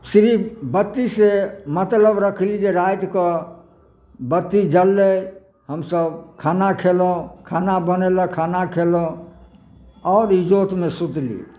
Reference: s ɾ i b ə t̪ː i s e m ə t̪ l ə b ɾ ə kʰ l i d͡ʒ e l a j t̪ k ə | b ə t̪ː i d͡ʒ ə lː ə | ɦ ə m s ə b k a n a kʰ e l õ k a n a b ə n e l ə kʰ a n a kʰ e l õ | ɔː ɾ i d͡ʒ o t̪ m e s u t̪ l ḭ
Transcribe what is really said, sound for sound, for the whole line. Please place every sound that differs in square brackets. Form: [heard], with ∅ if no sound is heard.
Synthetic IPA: s ɾ i b ə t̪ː i s e m ə t̪ l ə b ɾ ə kʰ l i d͡ʒ e [ɾ] a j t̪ k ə | b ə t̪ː i d͡ʒ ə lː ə | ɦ ə m s ə b [kʰ] a n a kʰ e l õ [kʰ] a n a b ə n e l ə kʰ a n a kʰ e l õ | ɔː ɾ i d͡ʒ o t̪ m e s u t̪ l ḭ